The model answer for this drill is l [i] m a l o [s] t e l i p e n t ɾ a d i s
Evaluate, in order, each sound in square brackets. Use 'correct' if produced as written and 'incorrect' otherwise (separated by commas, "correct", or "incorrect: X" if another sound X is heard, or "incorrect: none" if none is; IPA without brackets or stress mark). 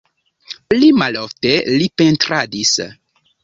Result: correct, incorrect: f